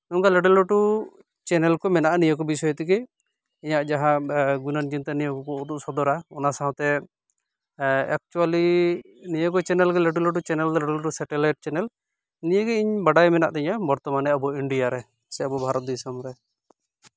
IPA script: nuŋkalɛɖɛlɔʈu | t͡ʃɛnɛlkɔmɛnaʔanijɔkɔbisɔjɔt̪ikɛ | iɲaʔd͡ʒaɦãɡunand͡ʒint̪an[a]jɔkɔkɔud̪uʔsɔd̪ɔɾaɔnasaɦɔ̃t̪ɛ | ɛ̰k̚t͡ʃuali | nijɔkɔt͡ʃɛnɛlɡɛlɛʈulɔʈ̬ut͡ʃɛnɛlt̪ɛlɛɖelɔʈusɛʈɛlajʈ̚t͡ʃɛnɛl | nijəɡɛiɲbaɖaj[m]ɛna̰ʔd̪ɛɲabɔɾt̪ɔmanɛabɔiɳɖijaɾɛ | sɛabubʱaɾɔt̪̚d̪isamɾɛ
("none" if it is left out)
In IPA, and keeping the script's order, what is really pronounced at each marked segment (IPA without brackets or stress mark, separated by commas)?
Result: i, m